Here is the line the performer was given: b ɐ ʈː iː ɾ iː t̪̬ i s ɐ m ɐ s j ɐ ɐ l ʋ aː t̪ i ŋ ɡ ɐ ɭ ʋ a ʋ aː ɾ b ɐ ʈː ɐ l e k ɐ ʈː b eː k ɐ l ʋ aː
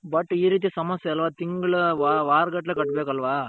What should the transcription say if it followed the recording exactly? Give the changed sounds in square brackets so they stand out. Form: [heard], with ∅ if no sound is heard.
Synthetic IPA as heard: b ɐ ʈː iː ɾ iː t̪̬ i s ɐ m ɐ s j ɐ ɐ l ʋ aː t̪ i ŋ ɡ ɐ ɭ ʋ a ʋ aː ɾ [ɡ] ɐ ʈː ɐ l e k ɐ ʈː b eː k ɐ l ʋ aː